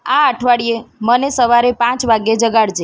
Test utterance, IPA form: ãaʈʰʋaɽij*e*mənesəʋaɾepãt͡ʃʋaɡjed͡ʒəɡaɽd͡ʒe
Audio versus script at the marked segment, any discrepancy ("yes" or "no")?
no